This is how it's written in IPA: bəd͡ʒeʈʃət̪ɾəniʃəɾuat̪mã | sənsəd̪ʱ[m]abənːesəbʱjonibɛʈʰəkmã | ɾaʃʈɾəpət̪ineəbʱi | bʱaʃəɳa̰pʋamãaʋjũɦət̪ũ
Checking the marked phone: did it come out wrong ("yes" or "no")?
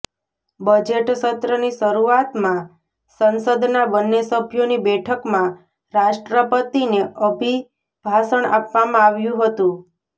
yes